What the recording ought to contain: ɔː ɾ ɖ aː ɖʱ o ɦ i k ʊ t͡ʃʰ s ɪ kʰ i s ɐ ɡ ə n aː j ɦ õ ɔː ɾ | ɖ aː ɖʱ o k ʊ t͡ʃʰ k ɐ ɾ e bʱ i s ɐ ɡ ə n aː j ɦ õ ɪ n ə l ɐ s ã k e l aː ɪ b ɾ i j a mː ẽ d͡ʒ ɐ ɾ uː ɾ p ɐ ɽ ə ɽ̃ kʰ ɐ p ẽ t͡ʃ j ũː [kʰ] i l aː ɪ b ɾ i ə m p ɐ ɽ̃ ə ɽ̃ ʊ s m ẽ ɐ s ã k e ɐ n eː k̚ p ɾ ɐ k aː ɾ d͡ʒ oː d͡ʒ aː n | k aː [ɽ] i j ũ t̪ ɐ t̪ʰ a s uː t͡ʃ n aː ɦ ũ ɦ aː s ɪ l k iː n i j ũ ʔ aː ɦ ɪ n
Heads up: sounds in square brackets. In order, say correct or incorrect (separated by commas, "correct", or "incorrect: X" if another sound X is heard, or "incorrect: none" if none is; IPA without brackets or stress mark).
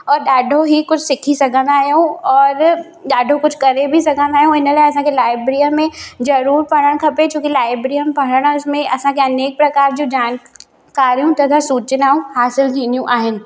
incorrect: k, incorrect: ɾ